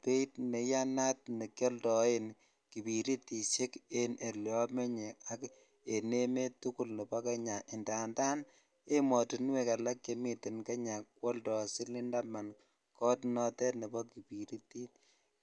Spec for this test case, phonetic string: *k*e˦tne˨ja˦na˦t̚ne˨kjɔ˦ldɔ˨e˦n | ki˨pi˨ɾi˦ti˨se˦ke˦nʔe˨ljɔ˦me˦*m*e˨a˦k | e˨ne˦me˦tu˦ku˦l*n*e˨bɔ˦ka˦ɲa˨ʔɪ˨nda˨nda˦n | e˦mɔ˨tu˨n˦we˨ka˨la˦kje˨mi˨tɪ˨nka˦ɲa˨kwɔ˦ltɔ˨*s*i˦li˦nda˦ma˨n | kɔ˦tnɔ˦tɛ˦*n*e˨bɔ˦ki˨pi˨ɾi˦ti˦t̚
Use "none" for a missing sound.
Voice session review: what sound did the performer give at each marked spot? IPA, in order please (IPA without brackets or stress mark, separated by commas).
p, ɲ, n, s, n